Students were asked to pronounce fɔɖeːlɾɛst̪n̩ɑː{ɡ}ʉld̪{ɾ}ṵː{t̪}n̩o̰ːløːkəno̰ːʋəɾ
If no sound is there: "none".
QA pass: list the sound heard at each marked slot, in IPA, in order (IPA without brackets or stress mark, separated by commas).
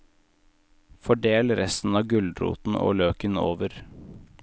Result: ɡ, ɾ, t̪